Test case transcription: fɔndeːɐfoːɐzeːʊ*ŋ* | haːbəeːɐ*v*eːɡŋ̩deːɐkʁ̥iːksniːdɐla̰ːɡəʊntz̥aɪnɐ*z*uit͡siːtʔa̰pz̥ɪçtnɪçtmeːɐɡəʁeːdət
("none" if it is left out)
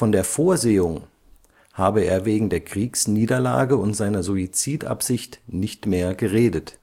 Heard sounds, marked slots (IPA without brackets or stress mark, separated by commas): ŋ, v, z